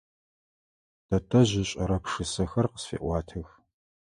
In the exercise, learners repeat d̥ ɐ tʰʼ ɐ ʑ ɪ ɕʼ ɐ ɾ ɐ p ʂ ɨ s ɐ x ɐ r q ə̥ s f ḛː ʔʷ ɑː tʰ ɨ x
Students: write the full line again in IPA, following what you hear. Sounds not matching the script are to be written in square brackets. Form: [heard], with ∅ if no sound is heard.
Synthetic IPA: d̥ ɐ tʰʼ ɐ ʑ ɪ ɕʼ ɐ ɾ ɐ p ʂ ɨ s ɐ x ɐ r q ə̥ s f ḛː ʔʷ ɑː tʰ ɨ x